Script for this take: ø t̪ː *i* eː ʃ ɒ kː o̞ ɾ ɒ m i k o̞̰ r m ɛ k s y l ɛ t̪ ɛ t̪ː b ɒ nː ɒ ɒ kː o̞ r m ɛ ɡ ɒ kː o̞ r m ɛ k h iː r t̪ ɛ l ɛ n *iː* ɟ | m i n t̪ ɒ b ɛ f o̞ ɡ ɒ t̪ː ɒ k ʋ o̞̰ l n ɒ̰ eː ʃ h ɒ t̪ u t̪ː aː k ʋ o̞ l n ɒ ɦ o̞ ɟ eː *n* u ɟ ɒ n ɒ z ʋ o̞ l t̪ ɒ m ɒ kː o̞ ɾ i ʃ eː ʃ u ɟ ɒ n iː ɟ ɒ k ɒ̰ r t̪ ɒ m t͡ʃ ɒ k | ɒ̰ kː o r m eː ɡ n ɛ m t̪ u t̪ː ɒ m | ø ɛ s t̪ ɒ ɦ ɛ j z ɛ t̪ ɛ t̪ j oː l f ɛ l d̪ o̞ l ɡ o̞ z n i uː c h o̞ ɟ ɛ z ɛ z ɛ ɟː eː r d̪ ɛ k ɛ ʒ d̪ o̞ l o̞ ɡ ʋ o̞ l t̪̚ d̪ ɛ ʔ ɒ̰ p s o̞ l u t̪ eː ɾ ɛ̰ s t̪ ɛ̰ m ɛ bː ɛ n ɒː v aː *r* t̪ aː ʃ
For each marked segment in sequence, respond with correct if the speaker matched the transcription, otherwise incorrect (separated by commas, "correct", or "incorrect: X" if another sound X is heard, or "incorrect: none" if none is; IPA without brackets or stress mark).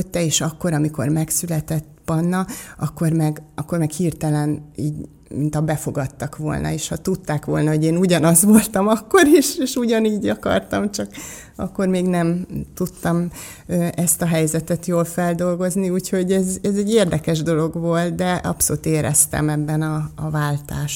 incorrect: ɛ, correct, correct, incorrect: l